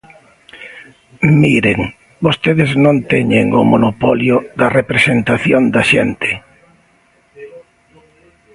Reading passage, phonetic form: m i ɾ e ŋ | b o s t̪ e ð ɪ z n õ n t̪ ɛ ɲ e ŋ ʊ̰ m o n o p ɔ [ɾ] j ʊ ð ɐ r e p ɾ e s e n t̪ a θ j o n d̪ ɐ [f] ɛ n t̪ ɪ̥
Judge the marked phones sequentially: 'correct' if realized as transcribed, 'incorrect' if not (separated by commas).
incorrect, incorrect